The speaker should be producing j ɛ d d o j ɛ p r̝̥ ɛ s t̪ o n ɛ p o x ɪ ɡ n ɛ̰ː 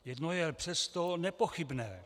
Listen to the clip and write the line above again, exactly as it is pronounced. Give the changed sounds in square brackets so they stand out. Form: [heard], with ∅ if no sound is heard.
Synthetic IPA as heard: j ɛ d [n] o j ɛ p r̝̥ ɛ s t̪ o n ɛ p o x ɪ [b] n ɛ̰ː